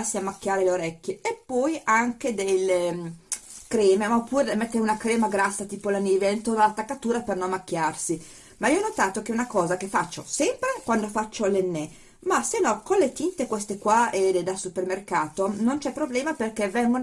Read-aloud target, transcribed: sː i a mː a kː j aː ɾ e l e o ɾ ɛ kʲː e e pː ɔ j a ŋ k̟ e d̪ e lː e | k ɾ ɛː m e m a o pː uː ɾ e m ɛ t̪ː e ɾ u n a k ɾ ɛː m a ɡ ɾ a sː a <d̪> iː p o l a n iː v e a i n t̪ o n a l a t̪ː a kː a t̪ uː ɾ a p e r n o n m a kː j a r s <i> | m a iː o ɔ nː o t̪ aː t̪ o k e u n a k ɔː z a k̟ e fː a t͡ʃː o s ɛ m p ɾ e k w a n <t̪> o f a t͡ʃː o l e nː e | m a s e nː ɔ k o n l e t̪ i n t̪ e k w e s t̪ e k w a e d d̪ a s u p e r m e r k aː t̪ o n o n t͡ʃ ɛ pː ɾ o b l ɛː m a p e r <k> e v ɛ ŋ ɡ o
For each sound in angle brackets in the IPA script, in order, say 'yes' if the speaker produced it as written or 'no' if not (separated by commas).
no, yes, no, yes